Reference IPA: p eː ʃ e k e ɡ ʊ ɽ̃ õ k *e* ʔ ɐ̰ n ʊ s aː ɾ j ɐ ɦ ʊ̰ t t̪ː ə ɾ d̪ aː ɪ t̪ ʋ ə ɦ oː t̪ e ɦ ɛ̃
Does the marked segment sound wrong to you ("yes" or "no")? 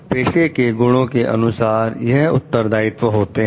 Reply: no